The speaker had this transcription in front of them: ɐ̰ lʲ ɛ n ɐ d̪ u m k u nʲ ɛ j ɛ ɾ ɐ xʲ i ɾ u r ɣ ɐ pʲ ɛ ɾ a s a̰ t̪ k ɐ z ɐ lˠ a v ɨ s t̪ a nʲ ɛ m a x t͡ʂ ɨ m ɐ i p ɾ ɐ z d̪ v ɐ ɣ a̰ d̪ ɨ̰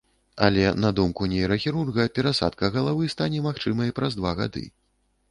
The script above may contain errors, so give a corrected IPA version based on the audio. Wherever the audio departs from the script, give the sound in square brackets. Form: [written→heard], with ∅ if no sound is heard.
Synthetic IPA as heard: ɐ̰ lʲ ɛ n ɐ d̪ u m k u nʲ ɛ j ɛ ɾ ɐ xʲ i ɾ u r ɣ ɐ pʲ ɛ ɾ a s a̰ t̪ k ɐ [z→ɣ] ɐ lˠ a v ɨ s t̪ a nʲ ɛ m a x t͡ʂ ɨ m ɐ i p ɾ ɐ z d̪ v [ɐ→a] ɣ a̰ d̪ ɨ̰